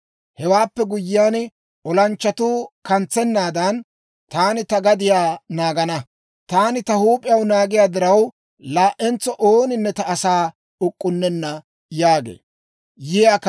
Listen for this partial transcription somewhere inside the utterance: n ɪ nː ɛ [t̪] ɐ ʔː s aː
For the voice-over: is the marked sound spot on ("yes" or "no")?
yes